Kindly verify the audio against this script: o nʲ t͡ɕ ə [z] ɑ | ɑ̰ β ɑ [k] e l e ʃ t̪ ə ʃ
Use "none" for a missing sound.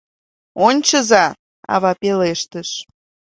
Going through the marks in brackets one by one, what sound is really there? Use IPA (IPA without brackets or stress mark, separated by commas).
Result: z, p